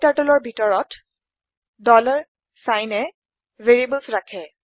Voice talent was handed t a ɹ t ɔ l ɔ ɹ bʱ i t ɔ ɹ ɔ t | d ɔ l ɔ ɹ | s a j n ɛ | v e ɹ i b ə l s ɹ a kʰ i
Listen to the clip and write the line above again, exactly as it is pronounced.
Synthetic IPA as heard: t a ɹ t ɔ l ɔ ɹ bʱ i t ɔ ɹ ɔ t | d ɔ l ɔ ɹ | s a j n ɛ | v e ɹ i b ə l s ɹ a kʰ ɛ